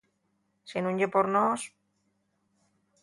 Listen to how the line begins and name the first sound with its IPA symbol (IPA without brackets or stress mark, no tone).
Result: s